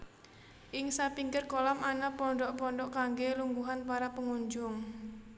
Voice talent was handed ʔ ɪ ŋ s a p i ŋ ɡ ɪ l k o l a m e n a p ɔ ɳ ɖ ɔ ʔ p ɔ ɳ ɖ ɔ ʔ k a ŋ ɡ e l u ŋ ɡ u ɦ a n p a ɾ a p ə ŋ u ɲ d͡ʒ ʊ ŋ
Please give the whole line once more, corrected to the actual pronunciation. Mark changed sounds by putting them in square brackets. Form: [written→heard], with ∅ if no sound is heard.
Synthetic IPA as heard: ʔ ɪ ŋ s a p i ŋ ɡ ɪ [l→r] k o l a m [e→a] n a p ɔ ɳ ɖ ɔ ʔ p ɔ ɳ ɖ ɔ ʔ k a ŋ ɡ e l u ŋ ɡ u ɦ a n p a ɾ a p ə ŋ u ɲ d͡ʒ ʊ ŋ